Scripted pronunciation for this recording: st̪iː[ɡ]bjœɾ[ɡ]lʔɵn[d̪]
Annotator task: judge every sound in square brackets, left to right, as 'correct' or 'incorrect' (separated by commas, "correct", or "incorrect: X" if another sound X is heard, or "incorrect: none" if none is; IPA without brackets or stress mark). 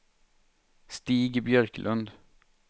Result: correct, incorrect: k, correct